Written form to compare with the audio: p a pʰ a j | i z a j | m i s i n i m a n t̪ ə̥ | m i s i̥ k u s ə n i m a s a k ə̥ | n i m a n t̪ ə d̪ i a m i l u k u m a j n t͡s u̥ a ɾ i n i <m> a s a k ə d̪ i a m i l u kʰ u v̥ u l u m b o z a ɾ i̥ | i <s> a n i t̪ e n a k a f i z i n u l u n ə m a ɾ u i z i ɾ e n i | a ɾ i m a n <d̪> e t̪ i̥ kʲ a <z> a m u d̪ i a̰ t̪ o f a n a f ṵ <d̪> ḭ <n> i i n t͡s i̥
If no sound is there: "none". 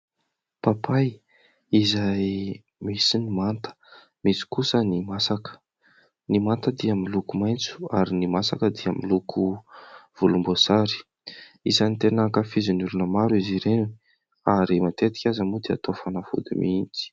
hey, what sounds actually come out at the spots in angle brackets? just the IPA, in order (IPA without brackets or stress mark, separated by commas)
m, z, t̪, z, d̪, m